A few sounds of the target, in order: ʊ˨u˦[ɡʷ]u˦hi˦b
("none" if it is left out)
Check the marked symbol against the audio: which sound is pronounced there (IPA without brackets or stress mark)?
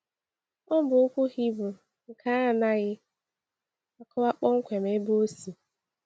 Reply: kʷ